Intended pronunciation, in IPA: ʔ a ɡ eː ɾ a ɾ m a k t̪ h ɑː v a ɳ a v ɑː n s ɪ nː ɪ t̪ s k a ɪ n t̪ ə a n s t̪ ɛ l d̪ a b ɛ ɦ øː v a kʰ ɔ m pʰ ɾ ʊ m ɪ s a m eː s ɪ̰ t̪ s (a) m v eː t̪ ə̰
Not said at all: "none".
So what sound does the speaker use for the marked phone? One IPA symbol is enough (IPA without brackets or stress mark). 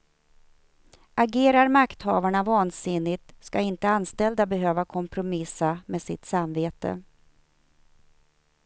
a